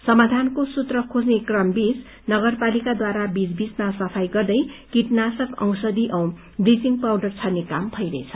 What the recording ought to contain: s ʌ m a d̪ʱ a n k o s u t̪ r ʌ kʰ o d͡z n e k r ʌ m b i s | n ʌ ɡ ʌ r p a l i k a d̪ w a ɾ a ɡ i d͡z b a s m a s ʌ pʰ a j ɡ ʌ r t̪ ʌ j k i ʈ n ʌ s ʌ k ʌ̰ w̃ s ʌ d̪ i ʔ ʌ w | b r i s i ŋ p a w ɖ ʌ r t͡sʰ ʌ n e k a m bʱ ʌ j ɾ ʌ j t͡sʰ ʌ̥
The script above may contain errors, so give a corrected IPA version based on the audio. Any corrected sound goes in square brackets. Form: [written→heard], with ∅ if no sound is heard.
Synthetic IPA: s ʌ m a d̪ʱ a n k o s u t̪ r ʌ kʰ o d͡z n e k r ʌ m b i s | n ʌ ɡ ʌ r p a l i k a d̪ w a ɾ a [ɡ→b] i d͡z b [a→i] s m a s ʌ pʰ a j ɡ ʌ r [t̪→d̪] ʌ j k i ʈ n [ʌ→a] s ʌ k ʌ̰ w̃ s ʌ d̪ i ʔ ʌ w | b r i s i ŋ p a w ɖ ʌ r t͡sʰ ʌ n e k a m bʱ ʌ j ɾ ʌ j t͡sʰ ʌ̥